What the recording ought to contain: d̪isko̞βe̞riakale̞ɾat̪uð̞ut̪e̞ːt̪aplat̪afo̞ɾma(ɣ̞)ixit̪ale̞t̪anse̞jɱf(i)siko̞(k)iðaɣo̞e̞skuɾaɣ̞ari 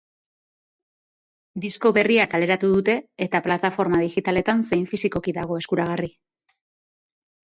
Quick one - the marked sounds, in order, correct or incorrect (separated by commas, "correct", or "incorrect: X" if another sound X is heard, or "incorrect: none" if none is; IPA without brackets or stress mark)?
incorrect: ð̞, correct, correct